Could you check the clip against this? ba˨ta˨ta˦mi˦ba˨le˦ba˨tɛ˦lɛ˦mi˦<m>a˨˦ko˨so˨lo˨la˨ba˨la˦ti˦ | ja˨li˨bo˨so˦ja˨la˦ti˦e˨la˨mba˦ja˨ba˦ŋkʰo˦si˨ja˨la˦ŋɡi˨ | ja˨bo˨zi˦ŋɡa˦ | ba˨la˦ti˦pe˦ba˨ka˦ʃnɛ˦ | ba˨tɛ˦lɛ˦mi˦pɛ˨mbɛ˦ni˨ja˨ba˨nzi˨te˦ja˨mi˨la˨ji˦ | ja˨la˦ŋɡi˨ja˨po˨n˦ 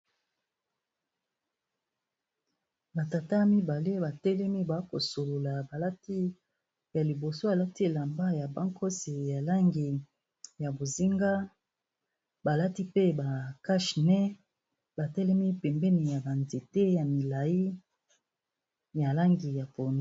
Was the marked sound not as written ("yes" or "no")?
yes